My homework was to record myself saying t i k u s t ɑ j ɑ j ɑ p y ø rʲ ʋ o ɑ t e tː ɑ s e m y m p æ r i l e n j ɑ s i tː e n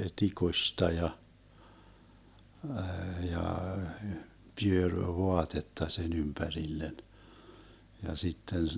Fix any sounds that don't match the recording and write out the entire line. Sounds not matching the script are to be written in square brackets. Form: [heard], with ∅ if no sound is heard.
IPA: t i k u s t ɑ j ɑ j ɑ p y ø rʲ ʋ o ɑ t e tː ɑ s e [n] y m p æ r i [lː] e n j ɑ s i tː e n